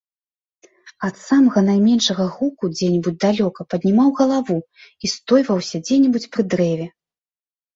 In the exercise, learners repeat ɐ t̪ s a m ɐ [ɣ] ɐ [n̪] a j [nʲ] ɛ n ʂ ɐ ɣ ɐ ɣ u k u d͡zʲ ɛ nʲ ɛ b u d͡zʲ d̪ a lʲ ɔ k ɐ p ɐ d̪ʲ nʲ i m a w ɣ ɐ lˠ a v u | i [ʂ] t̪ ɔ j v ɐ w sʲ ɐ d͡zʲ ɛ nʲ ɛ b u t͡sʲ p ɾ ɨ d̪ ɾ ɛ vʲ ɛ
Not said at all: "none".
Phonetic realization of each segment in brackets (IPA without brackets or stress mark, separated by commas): ɣ, n̪, mʲ, s